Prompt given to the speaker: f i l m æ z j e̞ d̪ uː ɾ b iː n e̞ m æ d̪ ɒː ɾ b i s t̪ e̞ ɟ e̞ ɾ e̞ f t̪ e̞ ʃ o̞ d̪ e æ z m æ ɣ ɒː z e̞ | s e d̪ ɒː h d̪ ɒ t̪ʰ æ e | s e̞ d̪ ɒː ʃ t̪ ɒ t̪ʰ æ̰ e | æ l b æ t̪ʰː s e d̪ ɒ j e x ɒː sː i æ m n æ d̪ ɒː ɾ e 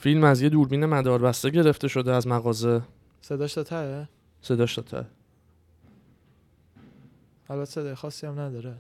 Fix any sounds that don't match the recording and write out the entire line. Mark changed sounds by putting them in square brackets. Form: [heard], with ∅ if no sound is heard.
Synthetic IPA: f i l m æ z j e̞ d̪ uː ɾ b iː n e̞ m æ d̪ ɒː ɾ b [æ] s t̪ e̞ ɟ e̞ ɾ e̞ f t̪ e̞ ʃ o̞ d̪ e æ z m æ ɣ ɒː z e̞ | s e d̪ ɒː [ʃ] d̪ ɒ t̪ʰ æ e | s e̞ d̪ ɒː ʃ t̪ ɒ t̪ʰ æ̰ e | æ l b æ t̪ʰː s e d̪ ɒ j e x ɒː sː i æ m n æ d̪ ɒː ɾ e